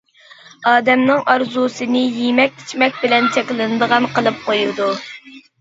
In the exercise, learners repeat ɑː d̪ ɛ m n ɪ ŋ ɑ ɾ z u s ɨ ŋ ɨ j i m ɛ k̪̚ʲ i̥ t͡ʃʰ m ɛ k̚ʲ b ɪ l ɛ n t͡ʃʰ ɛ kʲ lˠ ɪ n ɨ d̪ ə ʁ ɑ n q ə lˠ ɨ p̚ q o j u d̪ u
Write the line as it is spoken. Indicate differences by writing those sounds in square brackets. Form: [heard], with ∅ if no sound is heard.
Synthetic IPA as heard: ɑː d̪ ɛ m n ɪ ŋ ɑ ɾ z u s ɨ [n] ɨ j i m ɛ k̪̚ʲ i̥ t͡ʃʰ m ɛ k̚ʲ b ɪ l ɛ n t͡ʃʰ ɛ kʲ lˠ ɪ n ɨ d̪ ə ʁ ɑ n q ə lˠ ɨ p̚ q o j u d̪ u